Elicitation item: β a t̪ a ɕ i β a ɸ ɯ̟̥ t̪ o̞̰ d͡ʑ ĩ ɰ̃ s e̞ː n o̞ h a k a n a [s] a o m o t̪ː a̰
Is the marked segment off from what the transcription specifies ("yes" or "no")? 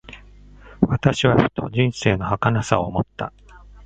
no